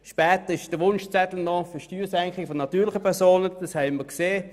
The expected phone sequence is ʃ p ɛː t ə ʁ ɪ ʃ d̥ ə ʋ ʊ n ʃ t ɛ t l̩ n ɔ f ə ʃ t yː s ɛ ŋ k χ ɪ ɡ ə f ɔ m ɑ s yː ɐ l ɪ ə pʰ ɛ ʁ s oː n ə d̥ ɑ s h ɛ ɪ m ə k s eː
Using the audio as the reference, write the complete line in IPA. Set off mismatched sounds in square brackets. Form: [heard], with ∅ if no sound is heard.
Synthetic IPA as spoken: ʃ p ɛː t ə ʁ ɪ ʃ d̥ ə ʋ ʊ n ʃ [t͡s] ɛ t l̩ n ɔ f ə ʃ t yː s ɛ ŋ k χ ɪ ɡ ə f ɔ [n] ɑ [t] yː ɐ l ɪ ə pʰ ɛ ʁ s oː n ə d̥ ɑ s h ɛ ɪ m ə k s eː